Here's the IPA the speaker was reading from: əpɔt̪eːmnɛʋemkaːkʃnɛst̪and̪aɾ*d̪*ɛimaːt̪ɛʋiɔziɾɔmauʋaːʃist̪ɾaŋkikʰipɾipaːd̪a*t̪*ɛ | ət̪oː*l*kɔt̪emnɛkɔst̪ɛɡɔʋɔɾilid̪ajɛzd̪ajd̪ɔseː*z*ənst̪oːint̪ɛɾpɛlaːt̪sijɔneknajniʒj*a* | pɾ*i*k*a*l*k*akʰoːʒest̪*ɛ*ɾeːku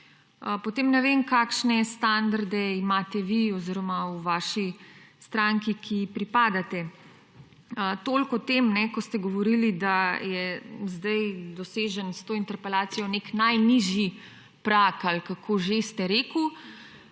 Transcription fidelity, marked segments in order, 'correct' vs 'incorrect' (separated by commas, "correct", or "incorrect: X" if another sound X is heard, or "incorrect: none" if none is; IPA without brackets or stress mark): correct, correct, correct, incorrect: ʒ, incorrect: i, incorrect: a, correct, correct, correct